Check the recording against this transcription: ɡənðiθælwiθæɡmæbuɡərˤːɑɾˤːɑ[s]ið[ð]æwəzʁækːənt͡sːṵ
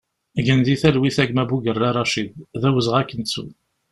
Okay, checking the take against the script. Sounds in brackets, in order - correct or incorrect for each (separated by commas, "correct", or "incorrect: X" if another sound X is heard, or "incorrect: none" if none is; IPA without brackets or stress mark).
incorrect: ʃ, correct